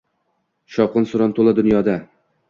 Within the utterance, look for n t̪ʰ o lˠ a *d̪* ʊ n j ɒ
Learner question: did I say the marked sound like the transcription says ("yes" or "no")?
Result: yes